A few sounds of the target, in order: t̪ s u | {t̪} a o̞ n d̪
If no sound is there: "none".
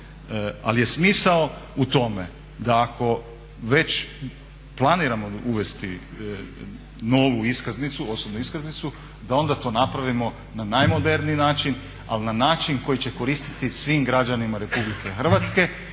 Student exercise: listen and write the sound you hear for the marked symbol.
d̪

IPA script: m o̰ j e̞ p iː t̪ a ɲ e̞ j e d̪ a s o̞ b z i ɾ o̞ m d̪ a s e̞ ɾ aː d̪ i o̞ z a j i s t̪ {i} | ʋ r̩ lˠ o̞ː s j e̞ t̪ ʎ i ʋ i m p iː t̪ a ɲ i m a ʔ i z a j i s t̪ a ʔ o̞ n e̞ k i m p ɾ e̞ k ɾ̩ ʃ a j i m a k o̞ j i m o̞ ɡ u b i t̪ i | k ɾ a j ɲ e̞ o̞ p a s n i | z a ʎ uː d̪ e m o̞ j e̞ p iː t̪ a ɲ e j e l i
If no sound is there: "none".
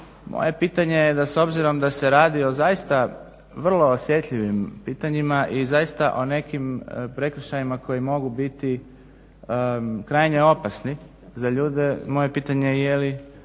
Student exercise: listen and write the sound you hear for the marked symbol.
a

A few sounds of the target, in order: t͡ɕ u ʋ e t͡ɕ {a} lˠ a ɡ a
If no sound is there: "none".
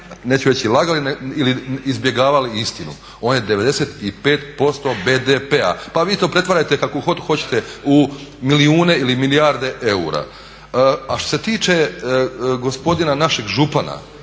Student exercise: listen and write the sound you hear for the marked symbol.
i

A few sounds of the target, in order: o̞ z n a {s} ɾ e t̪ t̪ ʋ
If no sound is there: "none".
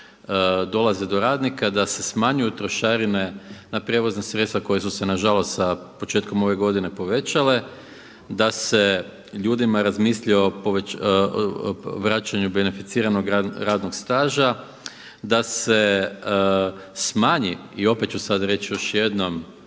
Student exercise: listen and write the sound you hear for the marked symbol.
s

